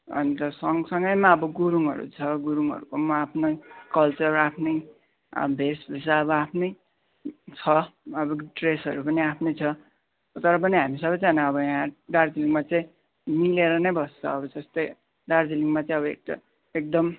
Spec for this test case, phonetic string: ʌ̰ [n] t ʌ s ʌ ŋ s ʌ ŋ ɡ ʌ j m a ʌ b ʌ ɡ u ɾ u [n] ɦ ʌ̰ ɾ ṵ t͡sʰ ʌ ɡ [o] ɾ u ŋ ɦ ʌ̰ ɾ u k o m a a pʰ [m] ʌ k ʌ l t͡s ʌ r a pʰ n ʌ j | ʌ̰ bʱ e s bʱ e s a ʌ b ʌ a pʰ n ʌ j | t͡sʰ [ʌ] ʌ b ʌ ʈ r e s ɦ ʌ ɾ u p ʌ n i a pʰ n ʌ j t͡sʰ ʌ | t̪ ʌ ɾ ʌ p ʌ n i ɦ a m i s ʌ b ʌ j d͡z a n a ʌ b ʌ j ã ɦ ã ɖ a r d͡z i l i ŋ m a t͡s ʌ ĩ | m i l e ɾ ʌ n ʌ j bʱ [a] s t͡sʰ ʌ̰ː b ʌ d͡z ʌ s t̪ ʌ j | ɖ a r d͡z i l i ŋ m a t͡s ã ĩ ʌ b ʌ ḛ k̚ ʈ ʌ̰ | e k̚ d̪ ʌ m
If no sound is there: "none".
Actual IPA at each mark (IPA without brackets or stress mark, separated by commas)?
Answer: n, ŋ, u, n, ʌ, ʌ